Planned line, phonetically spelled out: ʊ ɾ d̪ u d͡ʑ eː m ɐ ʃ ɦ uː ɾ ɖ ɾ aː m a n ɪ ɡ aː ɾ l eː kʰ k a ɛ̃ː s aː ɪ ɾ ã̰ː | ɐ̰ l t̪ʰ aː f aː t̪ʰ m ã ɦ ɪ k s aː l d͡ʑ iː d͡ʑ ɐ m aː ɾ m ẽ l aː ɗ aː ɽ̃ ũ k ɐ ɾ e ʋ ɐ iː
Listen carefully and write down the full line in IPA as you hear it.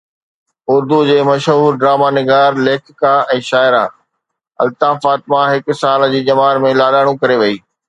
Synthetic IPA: ʊ ɾ d̪ u d͡ʑ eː m ɐ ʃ ɦ uː ɾ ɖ ɾ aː m a n ɪ ɡ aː ɾ l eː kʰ k a ɛ̃ː ʃ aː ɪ ɾ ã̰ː | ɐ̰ l t̪ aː f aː t̪ m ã ɦ ɪ k s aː l d͡ʑ iː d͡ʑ ɐ m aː ɾ m ẽ l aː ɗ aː ɽ̃ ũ k ɐ ɾ e ʋ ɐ iː